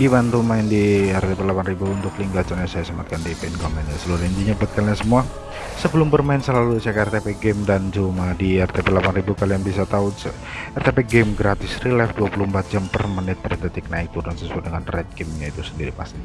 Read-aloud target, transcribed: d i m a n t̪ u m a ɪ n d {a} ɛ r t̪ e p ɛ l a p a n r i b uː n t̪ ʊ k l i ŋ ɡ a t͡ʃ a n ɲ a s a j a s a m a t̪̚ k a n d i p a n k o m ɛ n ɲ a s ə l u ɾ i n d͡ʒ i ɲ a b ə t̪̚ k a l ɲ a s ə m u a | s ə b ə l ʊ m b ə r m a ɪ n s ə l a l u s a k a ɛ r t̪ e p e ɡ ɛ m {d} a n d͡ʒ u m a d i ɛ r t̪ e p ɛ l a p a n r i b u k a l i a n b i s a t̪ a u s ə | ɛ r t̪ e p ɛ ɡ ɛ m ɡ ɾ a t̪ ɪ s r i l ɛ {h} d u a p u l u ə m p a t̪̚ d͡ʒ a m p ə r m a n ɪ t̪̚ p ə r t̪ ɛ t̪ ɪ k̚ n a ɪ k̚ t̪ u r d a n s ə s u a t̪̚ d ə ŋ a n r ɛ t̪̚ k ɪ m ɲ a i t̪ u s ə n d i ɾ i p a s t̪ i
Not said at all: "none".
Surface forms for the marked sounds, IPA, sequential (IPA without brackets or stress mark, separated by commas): i, d, f